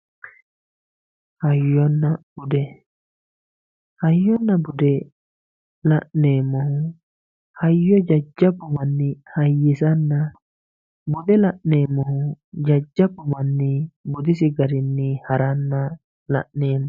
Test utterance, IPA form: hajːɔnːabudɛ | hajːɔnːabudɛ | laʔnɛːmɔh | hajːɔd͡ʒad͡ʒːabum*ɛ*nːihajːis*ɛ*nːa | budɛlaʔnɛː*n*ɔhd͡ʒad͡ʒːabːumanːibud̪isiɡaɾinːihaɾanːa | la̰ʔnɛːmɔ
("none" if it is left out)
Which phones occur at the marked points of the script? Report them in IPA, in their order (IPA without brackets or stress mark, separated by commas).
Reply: a, a, m